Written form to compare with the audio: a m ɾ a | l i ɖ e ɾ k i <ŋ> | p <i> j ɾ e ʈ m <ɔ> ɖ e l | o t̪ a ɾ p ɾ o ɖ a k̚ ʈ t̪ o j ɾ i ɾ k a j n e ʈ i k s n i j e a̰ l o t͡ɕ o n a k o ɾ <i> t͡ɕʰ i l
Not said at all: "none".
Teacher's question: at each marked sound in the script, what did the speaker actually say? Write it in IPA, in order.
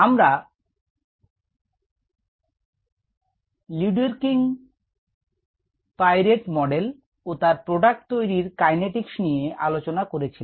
ŋ, a, ɔ, e

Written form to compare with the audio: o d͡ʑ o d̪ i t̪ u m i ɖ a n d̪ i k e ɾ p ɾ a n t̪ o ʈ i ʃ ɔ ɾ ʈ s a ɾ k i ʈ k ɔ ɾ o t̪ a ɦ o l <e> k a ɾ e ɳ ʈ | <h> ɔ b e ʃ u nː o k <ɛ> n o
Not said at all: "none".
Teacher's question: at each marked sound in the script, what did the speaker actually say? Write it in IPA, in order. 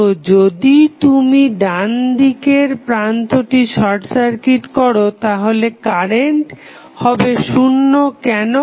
e, h, ɛ

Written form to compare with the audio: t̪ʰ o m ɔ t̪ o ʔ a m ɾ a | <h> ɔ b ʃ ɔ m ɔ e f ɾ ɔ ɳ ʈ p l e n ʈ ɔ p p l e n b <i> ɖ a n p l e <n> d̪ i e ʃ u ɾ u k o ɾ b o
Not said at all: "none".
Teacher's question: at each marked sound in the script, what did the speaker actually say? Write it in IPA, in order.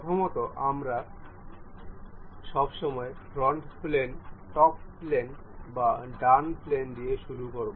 ʃ, a, n

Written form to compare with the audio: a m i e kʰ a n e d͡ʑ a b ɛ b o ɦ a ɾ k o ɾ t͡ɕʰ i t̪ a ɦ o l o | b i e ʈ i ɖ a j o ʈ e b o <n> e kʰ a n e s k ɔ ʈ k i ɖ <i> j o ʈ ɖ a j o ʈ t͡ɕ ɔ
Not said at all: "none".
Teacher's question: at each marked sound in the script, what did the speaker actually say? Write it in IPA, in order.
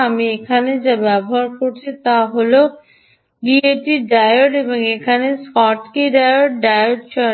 ŋ, a

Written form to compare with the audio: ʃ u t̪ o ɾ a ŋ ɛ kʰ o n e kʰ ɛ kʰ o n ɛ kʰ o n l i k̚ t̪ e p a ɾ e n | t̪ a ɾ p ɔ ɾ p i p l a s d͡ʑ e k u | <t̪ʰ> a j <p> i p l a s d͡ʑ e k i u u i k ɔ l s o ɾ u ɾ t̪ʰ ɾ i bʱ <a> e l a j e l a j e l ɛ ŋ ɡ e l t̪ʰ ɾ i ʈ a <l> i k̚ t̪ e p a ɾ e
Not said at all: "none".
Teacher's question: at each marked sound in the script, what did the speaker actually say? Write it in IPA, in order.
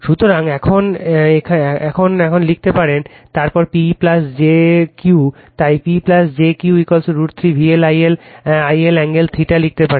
t̪, p, i, l

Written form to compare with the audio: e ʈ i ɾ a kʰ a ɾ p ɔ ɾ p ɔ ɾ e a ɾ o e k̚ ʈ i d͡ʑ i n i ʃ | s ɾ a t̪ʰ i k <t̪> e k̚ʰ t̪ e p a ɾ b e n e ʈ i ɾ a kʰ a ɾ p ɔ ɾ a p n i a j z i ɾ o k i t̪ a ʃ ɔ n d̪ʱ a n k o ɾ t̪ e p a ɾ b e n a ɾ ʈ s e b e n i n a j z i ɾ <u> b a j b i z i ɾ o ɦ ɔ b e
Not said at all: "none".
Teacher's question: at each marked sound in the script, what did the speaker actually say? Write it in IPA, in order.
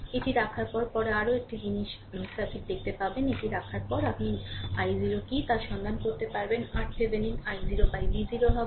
d̪, o

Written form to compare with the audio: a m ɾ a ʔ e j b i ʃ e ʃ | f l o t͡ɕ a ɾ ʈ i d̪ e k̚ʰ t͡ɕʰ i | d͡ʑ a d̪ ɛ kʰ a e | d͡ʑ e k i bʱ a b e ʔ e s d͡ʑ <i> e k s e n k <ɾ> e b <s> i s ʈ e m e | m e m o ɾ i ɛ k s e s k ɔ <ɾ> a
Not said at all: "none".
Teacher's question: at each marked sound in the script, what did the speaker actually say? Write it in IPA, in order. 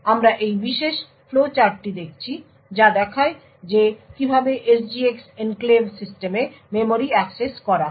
i, l, s, ɾ

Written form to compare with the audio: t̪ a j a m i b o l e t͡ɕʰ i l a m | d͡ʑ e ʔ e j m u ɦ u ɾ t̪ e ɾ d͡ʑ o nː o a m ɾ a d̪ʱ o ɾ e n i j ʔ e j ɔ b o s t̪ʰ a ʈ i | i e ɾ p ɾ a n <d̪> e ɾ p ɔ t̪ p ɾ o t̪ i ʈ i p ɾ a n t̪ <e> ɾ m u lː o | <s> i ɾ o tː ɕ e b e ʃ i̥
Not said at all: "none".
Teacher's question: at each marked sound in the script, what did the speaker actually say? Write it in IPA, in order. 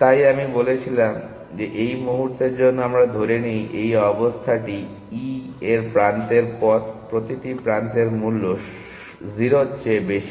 t̪, e, z

